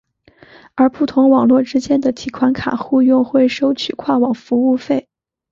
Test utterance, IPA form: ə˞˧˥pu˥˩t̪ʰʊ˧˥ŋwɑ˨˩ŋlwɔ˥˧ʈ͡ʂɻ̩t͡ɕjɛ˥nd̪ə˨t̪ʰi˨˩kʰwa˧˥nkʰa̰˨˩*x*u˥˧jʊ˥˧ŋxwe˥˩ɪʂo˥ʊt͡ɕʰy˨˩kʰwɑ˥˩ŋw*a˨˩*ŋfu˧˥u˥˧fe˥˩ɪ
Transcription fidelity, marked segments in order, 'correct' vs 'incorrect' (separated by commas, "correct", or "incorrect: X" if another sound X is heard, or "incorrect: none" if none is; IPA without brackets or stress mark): correct, incorrect: ɑ˨˩